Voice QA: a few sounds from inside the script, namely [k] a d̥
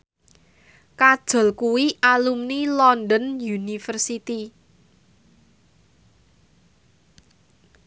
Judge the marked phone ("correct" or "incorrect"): correct